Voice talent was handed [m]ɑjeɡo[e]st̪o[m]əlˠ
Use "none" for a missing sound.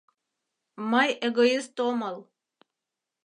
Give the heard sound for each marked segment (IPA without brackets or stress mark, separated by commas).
m, i, m